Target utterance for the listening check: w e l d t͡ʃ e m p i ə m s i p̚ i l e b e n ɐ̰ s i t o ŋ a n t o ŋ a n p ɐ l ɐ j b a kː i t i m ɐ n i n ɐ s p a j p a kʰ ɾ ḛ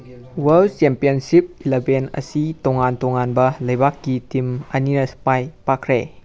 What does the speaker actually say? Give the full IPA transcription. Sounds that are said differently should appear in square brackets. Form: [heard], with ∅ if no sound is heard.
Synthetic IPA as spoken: w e l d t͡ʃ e m p i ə [n] s i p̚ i l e b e n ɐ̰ s i t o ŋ a n t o ŋ a n [b] ɐ l ɐ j b a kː i t i m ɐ n i n ɐ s p a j p a kʰ ɾ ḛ